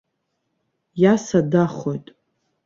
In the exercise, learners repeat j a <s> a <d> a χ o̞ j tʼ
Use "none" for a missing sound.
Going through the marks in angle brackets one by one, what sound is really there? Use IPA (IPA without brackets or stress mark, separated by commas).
s, d